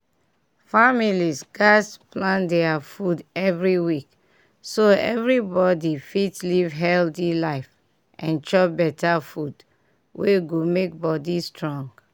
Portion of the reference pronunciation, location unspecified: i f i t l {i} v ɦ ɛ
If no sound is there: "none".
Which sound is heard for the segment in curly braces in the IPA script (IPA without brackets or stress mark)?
i